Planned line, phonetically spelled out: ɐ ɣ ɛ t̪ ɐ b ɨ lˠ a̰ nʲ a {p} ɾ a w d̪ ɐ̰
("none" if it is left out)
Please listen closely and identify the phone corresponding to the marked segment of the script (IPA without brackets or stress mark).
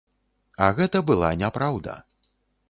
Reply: p